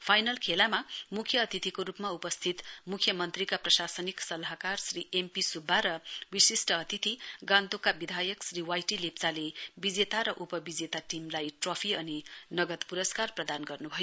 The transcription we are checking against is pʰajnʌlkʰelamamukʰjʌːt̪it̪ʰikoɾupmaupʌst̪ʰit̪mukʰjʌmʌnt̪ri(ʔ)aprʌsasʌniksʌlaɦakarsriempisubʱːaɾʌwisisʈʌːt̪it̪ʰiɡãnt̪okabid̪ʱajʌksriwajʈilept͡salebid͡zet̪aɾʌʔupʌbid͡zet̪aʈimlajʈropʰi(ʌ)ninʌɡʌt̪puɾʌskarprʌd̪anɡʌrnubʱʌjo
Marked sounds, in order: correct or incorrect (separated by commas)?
incorrect, correct